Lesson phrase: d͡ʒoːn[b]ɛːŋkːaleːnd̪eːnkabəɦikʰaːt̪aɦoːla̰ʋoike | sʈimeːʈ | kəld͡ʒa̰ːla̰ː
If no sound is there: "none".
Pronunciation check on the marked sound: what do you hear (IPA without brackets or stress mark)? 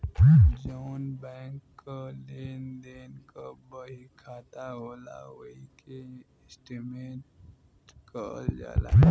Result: b